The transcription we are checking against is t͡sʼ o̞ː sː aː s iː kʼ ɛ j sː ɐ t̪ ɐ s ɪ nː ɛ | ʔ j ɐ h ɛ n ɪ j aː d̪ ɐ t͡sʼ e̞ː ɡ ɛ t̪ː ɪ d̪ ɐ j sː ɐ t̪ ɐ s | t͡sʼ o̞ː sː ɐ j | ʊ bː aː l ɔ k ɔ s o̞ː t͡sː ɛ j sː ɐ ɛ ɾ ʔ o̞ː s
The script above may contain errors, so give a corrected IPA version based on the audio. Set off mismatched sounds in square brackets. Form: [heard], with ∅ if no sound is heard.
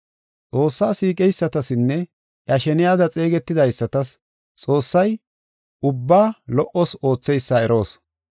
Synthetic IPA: t͡sʼ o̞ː sː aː s iː kʼ ɛ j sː ɐ t̪ ɐ s ɪ nː ɛ | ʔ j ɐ [ʃ] ɛ n ɪ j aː d̪ ɐ t͡sʼ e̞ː ɡ ɛ t̪ː ɪ d̪ ɐ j sː ɐ t̪ ɐ s | t͡sʼ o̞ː sː ɐ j | ʊ bː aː l ɔ [ʔ] ɔ s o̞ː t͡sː ɛ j sː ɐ ɛ ɾ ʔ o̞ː s